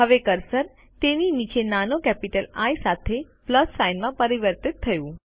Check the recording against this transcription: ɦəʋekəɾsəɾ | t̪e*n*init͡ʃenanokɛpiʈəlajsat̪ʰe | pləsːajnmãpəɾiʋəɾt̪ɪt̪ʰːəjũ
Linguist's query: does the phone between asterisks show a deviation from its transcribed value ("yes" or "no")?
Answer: no